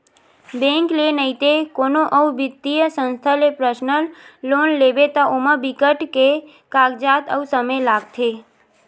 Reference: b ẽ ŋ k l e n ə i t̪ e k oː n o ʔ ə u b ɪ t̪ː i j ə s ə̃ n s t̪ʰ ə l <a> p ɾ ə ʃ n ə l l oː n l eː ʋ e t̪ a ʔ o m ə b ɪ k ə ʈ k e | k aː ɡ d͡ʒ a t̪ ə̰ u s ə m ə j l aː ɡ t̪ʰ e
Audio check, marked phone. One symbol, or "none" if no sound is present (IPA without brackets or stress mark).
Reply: e